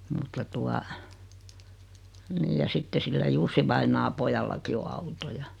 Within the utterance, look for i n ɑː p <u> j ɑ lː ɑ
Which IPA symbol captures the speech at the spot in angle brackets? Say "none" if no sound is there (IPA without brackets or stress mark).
o